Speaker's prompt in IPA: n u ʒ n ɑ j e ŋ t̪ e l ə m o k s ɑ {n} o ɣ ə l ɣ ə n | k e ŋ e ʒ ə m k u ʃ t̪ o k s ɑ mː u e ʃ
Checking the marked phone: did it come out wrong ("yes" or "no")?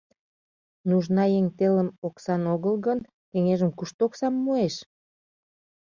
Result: no